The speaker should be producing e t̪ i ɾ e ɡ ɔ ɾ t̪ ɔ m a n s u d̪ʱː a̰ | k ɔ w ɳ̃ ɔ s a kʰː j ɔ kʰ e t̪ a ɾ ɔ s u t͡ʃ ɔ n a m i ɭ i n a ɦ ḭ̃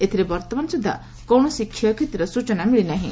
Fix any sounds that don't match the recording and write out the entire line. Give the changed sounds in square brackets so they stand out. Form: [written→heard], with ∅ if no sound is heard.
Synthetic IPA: e [t̪→t̪ʰ] i ɾ e [ɡ→b] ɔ ɾ t̪ ɔ m a n s u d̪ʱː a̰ | k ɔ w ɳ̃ ɔ s [a→i] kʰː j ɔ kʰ e t̪ [a→i] ɾ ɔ s u t͡ʃ ɔ n a m i ɭ i n a ɦ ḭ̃